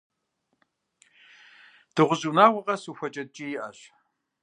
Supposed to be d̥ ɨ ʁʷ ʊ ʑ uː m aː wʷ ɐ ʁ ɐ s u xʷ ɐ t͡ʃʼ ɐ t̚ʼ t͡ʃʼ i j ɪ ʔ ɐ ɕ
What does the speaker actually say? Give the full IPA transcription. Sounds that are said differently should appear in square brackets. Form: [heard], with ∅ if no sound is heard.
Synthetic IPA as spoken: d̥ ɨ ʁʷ ʊ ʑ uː [n] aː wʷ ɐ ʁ ɐ s u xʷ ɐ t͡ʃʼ ɐ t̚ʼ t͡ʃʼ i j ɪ ʔ ɐ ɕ

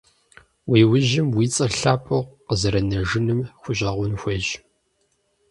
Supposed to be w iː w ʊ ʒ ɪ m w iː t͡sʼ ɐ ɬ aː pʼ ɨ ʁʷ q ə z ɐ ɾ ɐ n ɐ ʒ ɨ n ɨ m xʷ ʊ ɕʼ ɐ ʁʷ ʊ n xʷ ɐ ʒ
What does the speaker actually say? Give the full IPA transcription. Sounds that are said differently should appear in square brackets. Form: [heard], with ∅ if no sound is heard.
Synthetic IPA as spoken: w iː w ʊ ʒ ɪ m w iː t͡sʼ ɐ ɬ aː pʼ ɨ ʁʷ q ə z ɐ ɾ ɐ n ɐ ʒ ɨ n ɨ m xʷ ʊ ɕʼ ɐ ʁʷ ʊ n xʷ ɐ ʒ

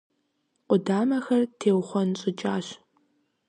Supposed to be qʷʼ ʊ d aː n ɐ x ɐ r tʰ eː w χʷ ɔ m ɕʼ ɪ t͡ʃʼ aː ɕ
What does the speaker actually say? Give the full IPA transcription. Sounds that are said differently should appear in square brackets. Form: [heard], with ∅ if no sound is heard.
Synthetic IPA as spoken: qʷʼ ʊ d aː [m] ɐ x ɐ r tʰ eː w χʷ ɔ [n] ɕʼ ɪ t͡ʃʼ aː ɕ

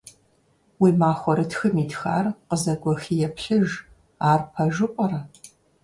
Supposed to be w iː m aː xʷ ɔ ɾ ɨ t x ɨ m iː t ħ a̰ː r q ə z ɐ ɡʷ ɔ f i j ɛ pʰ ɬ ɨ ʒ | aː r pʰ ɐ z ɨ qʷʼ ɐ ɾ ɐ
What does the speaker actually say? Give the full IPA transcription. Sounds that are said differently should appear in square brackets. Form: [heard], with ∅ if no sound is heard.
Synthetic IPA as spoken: w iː m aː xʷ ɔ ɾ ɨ t x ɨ m iː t [x] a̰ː r q ə z ɐ ɡʷ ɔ [x] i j ɛ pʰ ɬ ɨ ʒ | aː r pʰ ɐ [ʒ] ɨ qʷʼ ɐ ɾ ɐ

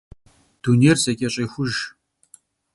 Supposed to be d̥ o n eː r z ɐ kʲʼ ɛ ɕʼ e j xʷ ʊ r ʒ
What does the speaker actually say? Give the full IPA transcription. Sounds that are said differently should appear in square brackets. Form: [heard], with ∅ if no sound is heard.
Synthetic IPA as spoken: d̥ [u] n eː r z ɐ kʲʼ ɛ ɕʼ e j xʷ ʊ [∅] ʒ

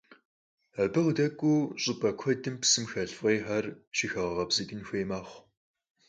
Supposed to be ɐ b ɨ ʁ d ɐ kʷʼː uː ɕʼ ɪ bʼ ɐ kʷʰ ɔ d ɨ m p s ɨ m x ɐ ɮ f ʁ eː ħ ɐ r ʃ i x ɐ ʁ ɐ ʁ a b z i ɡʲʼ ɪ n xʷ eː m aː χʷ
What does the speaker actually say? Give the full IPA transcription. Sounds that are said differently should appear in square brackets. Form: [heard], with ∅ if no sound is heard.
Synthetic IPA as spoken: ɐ b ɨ ʁ d ɐ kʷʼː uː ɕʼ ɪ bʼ ɐ kʷʰ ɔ d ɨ m p s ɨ m x ɐ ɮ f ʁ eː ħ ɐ r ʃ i x ɐ ʁ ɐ ʁ [ɐ] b z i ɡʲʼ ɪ n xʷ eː m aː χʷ

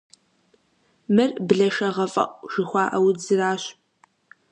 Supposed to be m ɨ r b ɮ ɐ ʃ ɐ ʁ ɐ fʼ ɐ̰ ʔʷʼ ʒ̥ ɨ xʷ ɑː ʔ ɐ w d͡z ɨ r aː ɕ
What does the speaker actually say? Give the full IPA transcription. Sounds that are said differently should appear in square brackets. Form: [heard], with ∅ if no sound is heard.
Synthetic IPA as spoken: m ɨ r b ɮ ɐ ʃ ɐ ʁ ɐ fʼ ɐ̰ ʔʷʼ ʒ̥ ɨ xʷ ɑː ʔ ɐ w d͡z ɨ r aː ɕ

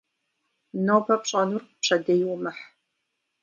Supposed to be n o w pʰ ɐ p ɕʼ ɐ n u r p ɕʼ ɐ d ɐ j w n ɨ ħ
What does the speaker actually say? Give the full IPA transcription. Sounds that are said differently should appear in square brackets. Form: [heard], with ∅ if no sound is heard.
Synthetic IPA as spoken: n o w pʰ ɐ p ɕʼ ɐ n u r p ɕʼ ɐ d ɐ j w [m] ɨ ħ

